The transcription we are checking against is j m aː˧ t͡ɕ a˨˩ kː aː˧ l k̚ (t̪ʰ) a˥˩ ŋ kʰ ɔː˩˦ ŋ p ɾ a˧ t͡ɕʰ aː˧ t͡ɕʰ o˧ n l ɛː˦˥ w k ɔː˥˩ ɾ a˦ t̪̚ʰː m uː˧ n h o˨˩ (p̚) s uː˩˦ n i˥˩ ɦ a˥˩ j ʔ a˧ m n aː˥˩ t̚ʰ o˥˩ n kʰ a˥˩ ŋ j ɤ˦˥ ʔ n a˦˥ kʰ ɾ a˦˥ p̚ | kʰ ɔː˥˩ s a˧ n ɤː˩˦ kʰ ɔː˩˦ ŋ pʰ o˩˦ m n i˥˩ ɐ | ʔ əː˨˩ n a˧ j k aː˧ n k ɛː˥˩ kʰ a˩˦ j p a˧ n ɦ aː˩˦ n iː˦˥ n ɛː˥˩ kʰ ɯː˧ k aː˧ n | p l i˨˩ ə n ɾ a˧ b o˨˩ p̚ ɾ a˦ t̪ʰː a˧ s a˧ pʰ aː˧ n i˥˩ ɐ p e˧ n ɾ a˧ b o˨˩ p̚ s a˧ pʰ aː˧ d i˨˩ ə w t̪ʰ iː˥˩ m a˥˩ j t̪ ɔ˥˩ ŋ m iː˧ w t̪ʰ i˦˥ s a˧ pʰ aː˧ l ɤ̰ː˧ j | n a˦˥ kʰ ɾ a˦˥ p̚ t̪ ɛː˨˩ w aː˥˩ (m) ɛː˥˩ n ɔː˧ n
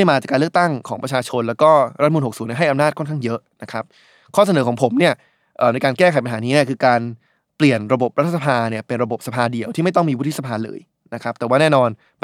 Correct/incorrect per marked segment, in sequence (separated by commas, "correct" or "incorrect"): incorrect, incorrect, incorrect